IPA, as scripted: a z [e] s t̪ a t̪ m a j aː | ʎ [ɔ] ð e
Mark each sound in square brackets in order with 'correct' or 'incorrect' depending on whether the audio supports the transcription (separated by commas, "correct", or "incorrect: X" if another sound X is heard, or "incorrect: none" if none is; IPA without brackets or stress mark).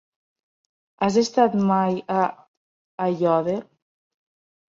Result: correct, correct